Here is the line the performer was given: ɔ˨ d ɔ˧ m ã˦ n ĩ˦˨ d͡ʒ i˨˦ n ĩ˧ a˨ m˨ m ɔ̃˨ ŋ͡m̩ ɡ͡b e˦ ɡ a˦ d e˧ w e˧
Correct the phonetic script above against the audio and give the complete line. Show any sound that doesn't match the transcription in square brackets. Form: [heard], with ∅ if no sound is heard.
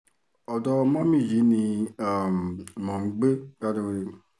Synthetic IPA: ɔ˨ d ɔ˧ m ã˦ [m] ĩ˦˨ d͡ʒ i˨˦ n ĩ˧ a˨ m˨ m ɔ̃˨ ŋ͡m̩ ɡ͡b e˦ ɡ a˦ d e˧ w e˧